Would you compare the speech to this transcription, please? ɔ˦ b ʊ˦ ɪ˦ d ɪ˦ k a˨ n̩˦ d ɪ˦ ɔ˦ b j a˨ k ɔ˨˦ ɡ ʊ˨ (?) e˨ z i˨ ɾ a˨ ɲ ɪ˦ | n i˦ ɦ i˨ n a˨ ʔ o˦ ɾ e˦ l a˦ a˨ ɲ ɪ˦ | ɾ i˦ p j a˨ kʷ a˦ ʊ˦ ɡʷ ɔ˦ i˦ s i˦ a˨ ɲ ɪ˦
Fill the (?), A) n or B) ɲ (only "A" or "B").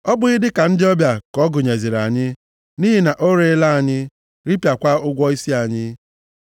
B